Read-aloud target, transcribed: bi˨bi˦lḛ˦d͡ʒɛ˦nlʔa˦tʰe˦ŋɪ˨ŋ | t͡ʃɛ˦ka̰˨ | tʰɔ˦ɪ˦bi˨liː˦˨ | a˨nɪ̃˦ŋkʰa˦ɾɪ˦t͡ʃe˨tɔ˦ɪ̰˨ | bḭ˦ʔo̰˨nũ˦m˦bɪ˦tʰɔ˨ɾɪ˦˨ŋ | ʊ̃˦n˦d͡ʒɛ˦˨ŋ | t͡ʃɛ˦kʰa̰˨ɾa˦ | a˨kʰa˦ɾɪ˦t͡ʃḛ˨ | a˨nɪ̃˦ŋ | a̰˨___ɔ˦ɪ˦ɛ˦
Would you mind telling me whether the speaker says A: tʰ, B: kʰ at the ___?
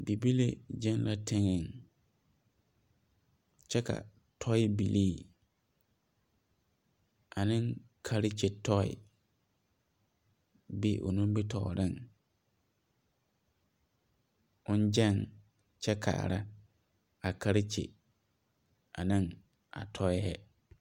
A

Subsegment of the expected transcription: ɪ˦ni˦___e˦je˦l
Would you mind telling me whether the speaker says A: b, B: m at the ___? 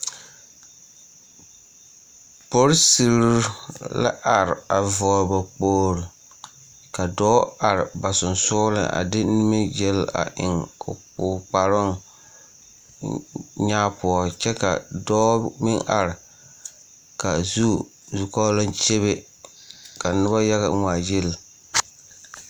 B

